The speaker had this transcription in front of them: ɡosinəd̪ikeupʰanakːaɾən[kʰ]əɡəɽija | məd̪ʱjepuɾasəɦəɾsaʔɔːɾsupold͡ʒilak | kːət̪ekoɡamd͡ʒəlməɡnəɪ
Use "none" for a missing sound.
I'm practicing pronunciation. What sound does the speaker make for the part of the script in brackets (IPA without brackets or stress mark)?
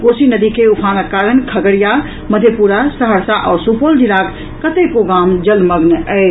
kʰ